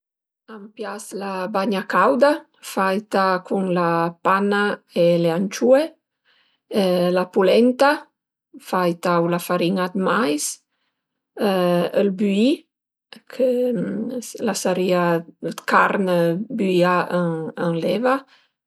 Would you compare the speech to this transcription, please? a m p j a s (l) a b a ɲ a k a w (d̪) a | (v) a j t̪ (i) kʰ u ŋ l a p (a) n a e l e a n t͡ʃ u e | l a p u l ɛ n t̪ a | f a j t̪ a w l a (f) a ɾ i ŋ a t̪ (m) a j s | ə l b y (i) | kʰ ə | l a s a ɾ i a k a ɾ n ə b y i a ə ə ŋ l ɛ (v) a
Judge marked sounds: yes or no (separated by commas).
yes, yes, no, no, yes, yes, yes, yes, yes